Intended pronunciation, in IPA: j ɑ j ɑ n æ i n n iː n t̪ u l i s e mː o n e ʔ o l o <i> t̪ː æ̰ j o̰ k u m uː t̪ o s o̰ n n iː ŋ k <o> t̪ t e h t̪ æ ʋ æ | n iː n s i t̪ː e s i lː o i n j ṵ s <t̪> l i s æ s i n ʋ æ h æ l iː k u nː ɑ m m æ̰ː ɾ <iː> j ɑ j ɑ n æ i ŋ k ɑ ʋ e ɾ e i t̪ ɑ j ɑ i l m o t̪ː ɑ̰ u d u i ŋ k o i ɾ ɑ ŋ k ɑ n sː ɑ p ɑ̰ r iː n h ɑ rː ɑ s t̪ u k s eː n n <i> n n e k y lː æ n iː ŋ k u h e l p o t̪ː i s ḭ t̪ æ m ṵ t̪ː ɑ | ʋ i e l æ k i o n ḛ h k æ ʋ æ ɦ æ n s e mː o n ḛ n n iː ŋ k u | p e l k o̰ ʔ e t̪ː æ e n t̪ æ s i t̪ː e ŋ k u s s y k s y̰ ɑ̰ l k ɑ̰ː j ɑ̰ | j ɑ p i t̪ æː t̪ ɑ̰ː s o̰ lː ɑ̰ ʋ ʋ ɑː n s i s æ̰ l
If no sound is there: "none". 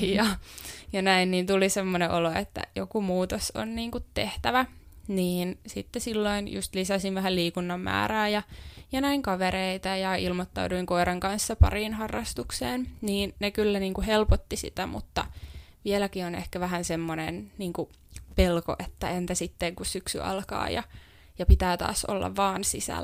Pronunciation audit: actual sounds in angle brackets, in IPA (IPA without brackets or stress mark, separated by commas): e, u, t̪, æː, iː